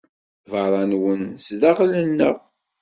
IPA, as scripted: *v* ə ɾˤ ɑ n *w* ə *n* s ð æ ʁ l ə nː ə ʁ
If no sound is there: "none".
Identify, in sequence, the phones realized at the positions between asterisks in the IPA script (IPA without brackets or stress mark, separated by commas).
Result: v, w, n